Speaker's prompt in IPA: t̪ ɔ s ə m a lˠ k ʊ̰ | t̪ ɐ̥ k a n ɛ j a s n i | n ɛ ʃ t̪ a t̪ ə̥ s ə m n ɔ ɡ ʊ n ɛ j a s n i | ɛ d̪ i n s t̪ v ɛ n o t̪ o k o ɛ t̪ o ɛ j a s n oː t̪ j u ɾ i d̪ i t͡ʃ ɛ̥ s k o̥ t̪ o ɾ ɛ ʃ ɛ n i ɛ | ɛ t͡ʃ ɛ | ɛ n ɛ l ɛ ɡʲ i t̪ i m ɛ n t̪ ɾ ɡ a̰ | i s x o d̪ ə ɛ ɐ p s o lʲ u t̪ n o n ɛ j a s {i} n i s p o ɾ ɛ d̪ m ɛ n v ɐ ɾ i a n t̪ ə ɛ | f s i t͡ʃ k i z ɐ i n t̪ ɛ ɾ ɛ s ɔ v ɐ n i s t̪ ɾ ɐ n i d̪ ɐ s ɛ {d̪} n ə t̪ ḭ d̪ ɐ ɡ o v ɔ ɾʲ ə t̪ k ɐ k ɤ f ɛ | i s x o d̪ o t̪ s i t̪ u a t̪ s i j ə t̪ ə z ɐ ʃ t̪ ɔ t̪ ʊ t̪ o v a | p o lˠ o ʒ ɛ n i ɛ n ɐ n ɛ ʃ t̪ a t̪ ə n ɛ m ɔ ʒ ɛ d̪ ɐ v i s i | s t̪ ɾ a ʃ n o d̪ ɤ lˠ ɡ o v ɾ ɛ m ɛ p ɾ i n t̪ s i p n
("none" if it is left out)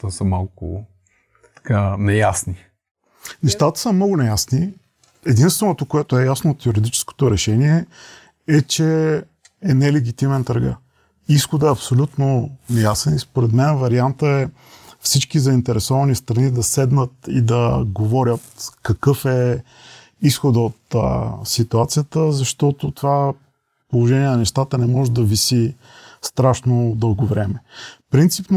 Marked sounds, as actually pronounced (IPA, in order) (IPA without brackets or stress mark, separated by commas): ɛ, d̪